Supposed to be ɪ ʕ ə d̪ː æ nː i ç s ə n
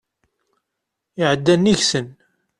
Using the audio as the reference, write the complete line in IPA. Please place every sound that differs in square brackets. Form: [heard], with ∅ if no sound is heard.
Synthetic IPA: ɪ ʕ ə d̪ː æ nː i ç s ə n

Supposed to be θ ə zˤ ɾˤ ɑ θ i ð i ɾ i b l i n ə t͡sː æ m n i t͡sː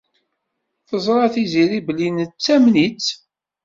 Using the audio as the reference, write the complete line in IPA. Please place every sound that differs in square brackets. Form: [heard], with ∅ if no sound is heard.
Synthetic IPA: θ ə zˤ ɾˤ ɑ θ i [z] i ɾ i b l i n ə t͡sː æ m n i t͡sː

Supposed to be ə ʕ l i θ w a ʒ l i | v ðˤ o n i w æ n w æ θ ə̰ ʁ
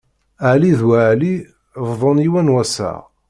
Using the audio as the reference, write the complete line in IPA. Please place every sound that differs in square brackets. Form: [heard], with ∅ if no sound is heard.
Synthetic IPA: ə ʕ l i [ð] w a [ʕ] l i | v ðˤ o n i w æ n w æ [s] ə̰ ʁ

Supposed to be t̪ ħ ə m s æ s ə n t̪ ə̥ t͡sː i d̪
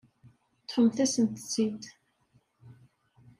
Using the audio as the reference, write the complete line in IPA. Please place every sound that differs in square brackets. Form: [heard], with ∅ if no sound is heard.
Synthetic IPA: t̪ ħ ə m [θ] æ s ə n t̪ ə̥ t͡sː i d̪

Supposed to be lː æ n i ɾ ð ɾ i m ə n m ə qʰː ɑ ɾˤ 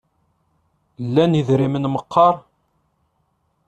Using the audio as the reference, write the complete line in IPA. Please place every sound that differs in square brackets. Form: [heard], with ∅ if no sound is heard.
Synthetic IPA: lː æ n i [∅] ð ɾ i m ə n m ə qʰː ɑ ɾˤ

